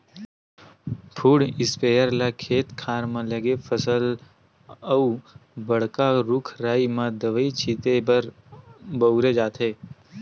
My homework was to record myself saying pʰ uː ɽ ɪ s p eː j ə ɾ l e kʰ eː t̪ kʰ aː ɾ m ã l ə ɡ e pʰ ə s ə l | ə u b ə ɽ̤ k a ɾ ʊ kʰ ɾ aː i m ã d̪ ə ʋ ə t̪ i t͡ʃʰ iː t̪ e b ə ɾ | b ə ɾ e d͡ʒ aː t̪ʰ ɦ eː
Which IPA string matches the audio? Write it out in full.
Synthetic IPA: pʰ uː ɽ ɪ s p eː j ə ɾ l a kʰ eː t̪ kʰ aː ɾ m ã l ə ɡ e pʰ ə s ə l | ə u b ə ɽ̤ k a ɾ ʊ kʰ ɾ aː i m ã d̪ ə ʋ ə i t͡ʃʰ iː t̪ e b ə ɾ | b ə ɾ e d͡ʒ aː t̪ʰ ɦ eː